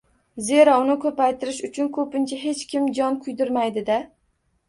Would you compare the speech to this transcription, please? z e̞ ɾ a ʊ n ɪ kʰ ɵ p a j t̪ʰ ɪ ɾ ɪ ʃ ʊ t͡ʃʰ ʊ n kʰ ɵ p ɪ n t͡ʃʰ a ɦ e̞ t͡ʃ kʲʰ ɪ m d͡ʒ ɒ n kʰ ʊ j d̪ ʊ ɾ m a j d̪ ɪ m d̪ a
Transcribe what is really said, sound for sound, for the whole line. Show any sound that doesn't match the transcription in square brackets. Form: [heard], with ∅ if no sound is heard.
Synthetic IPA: z e̞ ɾ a ʊ n ɪ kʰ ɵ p a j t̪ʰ ɪ ɾ ɪ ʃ ʊ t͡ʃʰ ʊ n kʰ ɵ p ɪ n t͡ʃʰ a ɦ e̞ t͡ʃ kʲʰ ɪ m d͡ʒ ɒ n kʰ ʊ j d̪ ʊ ɾ m a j d̪ ɪ [∅] d̪ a